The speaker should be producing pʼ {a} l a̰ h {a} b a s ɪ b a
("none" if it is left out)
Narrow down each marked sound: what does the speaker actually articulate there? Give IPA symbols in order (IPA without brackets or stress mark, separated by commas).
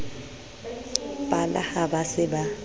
a, a